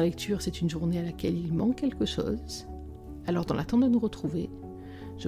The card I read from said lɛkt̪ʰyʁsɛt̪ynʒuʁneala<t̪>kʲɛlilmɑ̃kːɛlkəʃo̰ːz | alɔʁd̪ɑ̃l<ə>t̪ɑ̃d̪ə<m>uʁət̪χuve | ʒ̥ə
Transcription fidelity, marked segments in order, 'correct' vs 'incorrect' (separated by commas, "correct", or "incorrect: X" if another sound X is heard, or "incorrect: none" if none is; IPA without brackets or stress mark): incorrect: none, incorrect: a, incorrect: n